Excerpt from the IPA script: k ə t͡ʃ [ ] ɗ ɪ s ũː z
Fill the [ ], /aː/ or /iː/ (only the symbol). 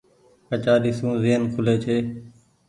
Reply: aː